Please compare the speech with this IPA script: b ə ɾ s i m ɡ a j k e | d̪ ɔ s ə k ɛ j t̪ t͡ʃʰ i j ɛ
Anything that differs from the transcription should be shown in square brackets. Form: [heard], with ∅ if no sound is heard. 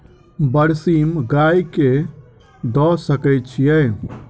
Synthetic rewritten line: b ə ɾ s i m ɡ a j k e | d̪ ɔ s ə k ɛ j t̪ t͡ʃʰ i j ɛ

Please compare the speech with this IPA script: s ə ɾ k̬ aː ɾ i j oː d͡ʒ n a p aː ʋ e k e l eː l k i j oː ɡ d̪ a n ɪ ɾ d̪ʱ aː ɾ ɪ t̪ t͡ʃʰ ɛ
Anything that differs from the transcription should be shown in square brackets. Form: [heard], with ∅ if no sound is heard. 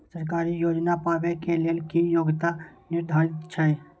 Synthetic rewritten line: s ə ɾ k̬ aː ɾ i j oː d͡ʒ n a p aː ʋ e k e l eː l k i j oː ɡ [t̪] a n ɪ ɾ d̪ʱ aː ɾ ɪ t̪ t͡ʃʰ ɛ

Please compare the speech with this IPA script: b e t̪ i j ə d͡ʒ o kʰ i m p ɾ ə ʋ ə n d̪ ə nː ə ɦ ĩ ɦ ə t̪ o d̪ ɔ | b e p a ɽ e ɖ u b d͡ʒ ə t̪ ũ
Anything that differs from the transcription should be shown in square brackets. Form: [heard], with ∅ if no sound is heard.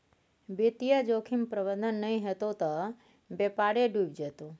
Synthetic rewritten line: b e t̪ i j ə d͡ʒ o kʰ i m p ɾ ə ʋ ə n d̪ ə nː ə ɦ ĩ ɦ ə t̪ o [t̪] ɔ | b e p a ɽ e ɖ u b d͡ʒ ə t̪ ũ

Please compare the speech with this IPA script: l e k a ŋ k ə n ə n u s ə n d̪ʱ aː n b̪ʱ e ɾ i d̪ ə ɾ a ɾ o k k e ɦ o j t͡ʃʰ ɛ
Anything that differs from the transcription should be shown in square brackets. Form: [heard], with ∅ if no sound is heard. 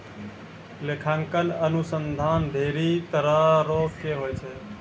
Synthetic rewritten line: l e [kʰ] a ŋ k ə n ə n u s ə n d̪ʱ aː n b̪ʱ e ɾ i [t̪] ə ɾ a ɾ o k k e ɦ o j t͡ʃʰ ɛ

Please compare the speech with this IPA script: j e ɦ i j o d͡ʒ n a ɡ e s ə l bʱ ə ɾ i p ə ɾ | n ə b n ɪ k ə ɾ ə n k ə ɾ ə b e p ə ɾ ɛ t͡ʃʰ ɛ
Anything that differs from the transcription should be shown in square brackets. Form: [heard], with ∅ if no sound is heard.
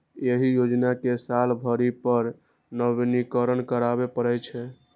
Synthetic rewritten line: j e ɦ i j o d͡ʒ n a [k] e s [a] l bʱ ə ɾ i p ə ɾ | n ə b n [i] k ə ɾ ə n k ə ɾ [a] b e p ə ɾ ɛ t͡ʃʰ ɛ

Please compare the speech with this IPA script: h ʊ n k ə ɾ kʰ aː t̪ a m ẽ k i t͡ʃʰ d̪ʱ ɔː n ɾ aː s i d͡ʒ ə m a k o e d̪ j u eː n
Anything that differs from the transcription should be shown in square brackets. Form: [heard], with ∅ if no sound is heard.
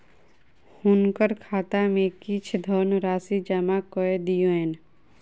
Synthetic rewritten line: h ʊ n k ə ɾ kʰ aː t̪ a m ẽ k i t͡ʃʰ d̪ʱ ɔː n ɾ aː s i d͡ʒ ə m a k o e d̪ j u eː n

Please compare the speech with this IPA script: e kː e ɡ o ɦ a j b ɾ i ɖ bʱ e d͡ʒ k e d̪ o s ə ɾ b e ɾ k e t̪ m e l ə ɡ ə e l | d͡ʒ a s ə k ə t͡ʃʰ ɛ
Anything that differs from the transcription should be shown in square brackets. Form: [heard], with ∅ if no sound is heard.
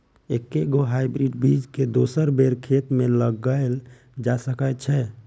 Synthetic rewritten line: e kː e ɡ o ɦ a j b ɾ i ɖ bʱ [i] d͡ʒ k e d̪ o s ə ɾ b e ɾ [kʰ] e t̪ m e l ə ɡ ə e l | d͡ʒ a s ə k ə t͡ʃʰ ɛ

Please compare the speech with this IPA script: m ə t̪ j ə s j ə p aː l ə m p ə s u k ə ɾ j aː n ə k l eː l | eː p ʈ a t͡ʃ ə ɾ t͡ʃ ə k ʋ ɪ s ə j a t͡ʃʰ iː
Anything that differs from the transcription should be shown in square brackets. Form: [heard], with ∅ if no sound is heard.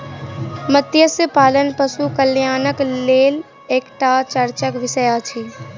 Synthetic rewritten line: m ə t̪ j ə s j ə p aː l ə [n] p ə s u k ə [l] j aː n ə k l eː l | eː [k] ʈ a t͡ʃ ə ɾ t͡ʃ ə k ʋ ɪ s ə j a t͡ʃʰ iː

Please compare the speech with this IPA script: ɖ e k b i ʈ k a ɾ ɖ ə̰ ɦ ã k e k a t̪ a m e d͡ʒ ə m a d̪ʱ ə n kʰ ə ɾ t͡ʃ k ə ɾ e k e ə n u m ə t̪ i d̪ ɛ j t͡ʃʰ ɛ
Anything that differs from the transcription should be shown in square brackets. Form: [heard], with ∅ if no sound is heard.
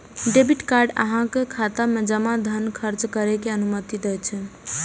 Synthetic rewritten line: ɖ e [∅] b i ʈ k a ɾ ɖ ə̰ ɦ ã k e [kʰ] a t̪ a m e d͡ʒ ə m a d̪ʱ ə n kʰ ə ɾ t͡ʃ k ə ɾ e k e ə n u m ə t̪ i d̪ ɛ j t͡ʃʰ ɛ

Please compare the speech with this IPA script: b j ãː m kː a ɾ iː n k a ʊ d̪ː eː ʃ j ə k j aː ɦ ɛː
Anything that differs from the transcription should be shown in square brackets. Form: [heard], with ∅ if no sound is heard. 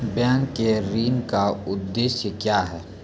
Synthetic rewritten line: b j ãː [ŋ] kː [e] ɾ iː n k a ʊ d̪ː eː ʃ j ə k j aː ɦ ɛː

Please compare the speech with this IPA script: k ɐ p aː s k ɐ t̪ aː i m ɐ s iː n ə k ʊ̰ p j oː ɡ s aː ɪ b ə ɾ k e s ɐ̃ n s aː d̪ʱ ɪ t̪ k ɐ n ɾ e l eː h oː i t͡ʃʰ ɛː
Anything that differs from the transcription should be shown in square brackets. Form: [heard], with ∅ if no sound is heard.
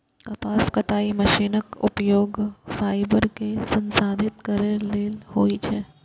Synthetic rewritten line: k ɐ p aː s k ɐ t̪ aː i m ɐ [ʃ] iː n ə k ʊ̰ p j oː ɡ [f] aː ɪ b ə ɾ k e s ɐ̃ n s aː d̪ʱ ɪ t̪ k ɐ [∅] ɾ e l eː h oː i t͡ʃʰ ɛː

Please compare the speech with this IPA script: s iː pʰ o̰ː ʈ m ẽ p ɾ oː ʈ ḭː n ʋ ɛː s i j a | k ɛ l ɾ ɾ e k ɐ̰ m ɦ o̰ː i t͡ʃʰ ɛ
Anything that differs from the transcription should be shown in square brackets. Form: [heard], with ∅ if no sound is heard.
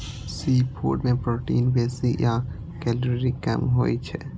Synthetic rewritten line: s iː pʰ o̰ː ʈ m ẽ p ɾ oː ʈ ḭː n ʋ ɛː s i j a | k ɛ l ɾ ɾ [i] k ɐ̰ m ɦ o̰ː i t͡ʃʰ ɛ

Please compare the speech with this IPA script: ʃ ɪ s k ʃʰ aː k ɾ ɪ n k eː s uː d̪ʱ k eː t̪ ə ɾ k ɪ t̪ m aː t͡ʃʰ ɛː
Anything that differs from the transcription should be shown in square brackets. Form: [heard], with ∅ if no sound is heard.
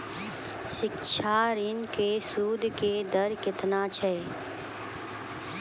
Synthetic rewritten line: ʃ ɪ [∅] k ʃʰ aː [∅] ɾ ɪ n k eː s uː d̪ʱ k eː [d̪] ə ɾ k ɪ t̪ [n] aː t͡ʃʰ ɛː

